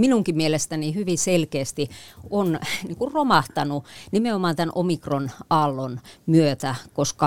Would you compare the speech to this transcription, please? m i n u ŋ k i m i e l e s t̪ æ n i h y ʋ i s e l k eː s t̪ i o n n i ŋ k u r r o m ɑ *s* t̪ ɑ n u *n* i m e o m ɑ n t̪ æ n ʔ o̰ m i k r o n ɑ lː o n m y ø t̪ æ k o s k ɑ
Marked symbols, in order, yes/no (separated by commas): no, yes